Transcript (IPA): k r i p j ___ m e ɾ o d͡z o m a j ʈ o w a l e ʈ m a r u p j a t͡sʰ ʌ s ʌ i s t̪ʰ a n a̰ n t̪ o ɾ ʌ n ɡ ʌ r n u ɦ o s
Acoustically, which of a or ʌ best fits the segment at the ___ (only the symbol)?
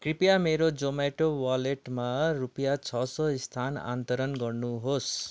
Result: a